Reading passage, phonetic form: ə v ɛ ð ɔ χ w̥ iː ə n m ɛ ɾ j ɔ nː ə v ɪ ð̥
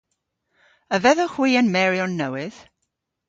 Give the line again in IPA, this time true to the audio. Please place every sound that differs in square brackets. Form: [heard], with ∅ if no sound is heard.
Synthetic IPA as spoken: ə v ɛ ð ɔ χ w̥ iː ə n m ɛ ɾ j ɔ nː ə [w] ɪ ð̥